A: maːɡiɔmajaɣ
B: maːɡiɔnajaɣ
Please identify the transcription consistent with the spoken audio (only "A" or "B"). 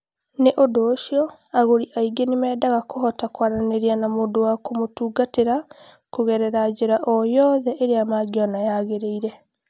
B